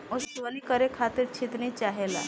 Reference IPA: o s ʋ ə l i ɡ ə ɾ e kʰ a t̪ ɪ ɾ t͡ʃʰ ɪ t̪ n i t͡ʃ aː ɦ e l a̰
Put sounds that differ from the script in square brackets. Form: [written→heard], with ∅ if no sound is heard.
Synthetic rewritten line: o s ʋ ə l i [ɡ→k] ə ɾ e kʰ a t̪ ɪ ɾ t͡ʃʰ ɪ t̪ n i t͡ʃ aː ɦ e l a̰